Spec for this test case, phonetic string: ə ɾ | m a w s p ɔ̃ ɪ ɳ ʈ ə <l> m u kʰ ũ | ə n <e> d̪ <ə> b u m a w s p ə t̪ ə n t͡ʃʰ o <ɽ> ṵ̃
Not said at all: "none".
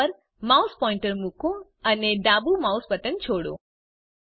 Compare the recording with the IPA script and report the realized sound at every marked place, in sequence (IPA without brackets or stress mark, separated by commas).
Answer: ɾ, e, a, ɽ